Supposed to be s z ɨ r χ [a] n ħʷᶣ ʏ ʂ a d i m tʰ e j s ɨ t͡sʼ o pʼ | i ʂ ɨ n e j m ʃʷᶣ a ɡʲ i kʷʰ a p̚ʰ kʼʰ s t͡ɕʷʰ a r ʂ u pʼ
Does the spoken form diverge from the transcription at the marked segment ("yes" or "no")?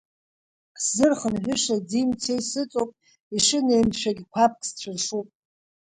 yes